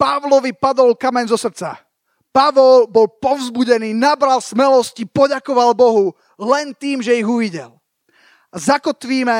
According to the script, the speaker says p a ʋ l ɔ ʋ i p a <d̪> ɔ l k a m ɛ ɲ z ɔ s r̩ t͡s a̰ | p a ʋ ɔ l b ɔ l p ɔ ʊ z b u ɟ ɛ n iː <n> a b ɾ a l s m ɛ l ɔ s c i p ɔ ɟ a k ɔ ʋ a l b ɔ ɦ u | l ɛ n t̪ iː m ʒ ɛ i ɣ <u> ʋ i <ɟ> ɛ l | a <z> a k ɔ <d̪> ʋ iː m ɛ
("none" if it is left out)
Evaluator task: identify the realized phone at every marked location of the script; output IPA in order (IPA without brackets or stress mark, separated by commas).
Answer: d̪, n, u, ɟ, z, t̪